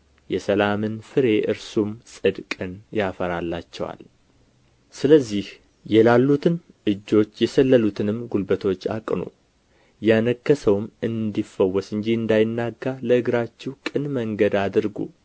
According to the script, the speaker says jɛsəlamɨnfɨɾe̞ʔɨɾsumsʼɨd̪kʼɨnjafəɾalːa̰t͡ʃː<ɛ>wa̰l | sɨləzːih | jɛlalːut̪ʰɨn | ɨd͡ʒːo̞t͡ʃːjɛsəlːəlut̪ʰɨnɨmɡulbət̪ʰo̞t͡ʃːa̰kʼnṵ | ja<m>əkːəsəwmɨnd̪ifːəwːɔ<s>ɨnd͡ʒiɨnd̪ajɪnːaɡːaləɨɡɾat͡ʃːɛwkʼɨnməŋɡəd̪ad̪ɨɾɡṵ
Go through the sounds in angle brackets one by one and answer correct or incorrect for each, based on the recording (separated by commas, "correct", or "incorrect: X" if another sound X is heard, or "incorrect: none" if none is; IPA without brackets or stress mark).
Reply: correct, incorrect: n, correct